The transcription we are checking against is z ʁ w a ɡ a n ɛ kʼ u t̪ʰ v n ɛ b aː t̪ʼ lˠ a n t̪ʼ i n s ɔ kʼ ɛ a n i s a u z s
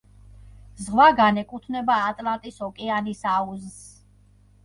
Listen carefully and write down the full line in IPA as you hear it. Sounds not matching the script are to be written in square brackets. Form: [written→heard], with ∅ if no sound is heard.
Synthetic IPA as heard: z ʁ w a ɡ a n ɛ kʼ u t̪ʰ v n ɛ b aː t̪ʼ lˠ a n t̪ʼ i [n→∅] s ɔ kʼ ɛ a n i s a u z s